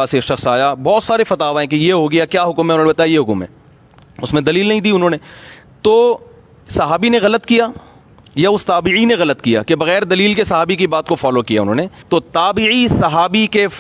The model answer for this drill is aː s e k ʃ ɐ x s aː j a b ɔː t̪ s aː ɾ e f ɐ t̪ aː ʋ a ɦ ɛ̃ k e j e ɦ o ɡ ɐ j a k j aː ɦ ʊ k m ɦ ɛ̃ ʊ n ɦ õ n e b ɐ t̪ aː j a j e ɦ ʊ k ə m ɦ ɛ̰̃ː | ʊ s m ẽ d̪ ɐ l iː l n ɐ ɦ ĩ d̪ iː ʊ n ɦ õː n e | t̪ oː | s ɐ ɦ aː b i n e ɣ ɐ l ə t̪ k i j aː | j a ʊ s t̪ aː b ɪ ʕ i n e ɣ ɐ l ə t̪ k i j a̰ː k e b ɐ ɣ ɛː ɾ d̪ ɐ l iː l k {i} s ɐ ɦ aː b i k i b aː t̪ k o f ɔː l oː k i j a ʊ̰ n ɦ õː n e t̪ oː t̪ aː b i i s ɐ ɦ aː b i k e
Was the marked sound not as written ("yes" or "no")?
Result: yes